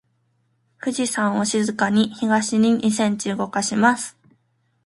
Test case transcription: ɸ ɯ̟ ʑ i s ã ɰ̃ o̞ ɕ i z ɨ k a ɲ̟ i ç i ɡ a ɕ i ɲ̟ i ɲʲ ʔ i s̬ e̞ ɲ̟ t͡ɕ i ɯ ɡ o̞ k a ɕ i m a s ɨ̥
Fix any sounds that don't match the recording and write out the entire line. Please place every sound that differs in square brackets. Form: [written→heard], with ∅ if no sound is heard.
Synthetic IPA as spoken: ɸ ɯ̟ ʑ i s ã ɰ̃ o̞ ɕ i z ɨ k a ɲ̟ i ç i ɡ a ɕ i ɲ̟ i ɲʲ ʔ i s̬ [e̞→ẽ̞] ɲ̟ t͡ɕ i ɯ ɡ o̞ k a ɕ i m a s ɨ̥